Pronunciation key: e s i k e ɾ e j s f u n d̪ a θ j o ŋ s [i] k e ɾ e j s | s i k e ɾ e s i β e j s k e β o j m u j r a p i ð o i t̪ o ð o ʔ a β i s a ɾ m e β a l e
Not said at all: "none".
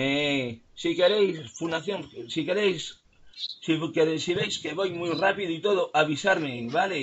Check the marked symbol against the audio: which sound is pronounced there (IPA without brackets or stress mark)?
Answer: i